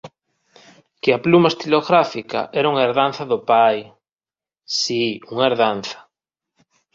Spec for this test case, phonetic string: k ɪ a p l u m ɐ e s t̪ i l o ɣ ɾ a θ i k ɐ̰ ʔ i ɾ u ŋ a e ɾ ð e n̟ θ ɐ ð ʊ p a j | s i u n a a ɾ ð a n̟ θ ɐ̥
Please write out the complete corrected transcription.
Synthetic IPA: k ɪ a p l u m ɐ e s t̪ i l o ɣ ɾ a f i k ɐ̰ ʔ ɛ ɾ u ŋ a e ɾ ð a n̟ θ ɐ ð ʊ p a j | s i u ŋ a e ɾ ð a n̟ θ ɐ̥